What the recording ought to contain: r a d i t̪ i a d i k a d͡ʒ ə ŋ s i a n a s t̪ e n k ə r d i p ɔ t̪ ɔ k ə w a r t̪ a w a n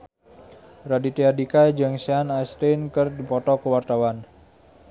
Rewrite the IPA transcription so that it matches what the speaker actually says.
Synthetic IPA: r a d i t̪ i a d i k a d͡ʒ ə ŋ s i a n a s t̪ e n k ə r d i p ɔ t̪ ɔ k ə w a r t̪ a w a n